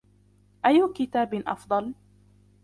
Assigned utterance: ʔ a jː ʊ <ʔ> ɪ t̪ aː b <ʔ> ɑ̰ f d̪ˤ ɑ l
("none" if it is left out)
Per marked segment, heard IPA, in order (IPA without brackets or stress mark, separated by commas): k, ʔ